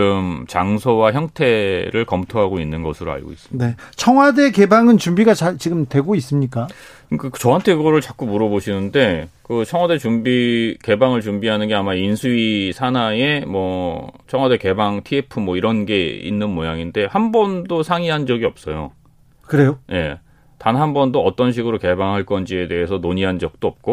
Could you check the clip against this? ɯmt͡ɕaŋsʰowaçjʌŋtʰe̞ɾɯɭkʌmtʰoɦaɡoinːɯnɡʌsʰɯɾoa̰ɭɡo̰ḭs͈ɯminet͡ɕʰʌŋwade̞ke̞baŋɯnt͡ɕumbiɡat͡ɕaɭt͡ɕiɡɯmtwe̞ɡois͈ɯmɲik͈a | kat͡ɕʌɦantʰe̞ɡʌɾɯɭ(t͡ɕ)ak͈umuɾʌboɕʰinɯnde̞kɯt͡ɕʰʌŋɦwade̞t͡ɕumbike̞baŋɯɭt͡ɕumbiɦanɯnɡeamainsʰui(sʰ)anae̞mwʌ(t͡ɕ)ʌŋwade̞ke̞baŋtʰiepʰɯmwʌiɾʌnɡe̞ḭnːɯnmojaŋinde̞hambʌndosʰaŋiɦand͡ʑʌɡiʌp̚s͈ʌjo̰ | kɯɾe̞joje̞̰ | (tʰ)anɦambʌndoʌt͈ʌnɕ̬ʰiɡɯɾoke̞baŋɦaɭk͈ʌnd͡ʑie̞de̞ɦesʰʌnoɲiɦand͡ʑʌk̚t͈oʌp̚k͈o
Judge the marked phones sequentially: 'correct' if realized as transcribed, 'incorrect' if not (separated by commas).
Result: correct, correct, incorrect, incorrect